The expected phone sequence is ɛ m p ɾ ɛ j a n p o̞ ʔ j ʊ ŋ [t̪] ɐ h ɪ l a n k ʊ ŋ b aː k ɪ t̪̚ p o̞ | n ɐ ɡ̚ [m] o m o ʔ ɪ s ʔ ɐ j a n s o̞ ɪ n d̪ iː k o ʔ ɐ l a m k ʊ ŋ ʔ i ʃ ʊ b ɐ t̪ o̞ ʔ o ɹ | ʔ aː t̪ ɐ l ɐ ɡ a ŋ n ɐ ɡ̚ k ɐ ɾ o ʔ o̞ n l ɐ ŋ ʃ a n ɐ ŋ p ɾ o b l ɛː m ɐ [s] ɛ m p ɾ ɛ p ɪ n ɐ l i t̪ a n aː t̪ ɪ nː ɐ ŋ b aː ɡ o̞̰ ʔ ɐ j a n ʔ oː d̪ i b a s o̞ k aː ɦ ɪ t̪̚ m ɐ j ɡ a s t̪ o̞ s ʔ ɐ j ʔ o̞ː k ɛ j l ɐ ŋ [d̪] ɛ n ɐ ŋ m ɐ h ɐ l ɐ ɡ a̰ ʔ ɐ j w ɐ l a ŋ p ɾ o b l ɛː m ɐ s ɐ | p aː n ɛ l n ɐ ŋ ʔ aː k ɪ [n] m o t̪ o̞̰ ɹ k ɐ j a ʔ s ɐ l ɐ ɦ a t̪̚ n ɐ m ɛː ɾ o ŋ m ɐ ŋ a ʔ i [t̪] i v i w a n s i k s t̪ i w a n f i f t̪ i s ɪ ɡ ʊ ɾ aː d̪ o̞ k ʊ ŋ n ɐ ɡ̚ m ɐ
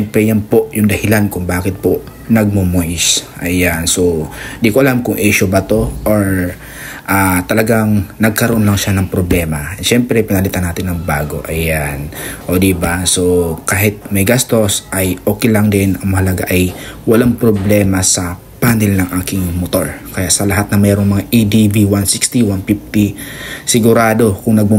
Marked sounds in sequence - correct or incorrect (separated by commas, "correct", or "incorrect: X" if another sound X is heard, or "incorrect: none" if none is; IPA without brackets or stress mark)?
incorrect: d̪, correct, incorrect: ʃ, correct, incorrect: ŋ, incorrect: d̪